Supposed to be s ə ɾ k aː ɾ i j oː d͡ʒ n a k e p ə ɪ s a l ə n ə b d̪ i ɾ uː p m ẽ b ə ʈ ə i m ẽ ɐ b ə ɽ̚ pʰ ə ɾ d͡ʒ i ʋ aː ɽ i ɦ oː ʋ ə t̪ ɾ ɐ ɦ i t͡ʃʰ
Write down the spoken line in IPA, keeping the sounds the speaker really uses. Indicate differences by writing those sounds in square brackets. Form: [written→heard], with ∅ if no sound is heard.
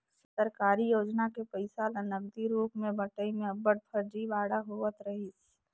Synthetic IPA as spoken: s ə ɾ k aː ɾ i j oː d͡ʒ n a k e p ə ɪ s a l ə n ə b d̪ i ɾ uː p m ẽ b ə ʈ ə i m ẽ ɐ b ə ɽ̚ pʰ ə ɾ d͡ʒ i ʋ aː ɽ [i→a] ɦ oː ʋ ə t̪ ɾ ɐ ɦ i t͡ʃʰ